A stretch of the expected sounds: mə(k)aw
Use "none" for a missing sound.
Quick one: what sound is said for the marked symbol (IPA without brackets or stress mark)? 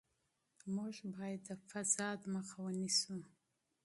x